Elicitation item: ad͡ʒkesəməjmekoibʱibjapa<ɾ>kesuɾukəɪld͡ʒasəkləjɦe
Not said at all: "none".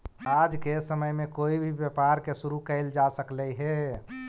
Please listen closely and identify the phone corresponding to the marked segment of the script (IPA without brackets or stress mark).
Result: ɾ